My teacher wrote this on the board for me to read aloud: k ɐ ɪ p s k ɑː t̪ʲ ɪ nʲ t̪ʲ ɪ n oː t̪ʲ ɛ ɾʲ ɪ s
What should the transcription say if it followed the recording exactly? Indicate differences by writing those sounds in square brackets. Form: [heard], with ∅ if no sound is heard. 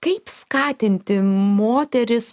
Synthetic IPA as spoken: k ɐ ɪ p s k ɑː t̪ʲ ɪ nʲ t̪ʲ ɪ [m] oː t̪ʲ ɛ ɾʲ ɪ s